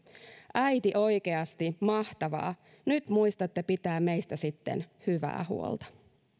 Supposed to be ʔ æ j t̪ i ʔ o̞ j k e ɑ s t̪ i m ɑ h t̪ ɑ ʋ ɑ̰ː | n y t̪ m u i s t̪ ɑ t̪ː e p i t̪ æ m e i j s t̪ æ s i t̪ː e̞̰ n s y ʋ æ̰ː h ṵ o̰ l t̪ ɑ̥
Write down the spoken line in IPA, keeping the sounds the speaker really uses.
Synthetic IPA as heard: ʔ æ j t̪ i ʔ o̞ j k e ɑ s t̪ i m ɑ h t̪ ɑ ʋ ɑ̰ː | n y t̪ m u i s t̪ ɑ t̪ː e p i t̪ æː m e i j s t̪ æ s i t̪ː e̞̰ n h y ʋ æ̰ː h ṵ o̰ l t̪ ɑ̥